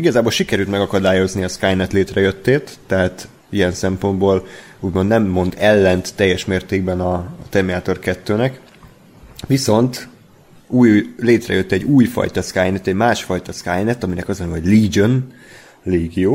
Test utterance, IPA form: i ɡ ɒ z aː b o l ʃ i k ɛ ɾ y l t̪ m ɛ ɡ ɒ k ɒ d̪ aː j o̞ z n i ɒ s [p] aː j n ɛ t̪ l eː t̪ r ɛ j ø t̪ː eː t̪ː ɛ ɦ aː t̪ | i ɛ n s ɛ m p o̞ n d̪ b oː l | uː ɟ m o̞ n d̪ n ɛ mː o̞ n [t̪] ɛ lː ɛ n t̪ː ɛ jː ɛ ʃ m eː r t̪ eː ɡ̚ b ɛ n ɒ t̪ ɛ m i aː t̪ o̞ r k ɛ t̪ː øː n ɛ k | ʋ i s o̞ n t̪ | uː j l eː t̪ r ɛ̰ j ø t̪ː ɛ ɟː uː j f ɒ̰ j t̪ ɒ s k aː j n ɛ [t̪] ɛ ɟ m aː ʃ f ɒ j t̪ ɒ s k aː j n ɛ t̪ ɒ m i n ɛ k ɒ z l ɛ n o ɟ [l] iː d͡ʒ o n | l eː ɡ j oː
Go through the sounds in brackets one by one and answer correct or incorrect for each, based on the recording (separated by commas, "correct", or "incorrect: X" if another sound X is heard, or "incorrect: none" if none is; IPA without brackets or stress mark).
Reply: incorrect: k, incorrect: d̪, correct, correct